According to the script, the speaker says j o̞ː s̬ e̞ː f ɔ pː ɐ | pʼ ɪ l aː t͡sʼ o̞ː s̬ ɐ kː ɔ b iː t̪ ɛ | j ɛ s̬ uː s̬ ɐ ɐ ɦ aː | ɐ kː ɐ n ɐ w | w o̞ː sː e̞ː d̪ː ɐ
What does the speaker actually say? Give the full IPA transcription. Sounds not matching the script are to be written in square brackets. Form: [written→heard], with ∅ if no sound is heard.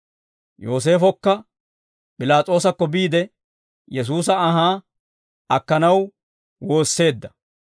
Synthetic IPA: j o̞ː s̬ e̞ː f ɔ [pː→kː] ɐ | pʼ ɪ l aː t͡sʼ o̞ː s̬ ɐ kː ɔ b iː [t̪→d̪] ɛ | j ɛ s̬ uː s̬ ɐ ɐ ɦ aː | ɐ kː ɐ n ɐ w | w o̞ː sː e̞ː d̪ː ɐ